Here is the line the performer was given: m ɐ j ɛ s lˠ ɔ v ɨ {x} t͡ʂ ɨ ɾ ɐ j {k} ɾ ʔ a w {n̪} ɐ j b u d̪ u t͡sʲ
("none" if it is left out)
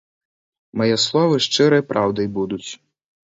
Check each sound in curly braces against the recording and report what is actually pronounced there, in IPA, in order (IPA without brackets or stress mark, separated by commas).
ʂ, p, d̪